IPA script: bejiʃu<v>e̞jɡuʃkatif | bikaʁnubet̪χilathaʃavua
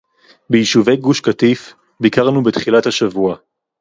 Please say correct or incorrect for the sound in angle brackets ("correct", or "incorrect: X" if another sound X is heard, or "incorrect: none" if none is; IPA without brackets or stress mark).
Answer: correct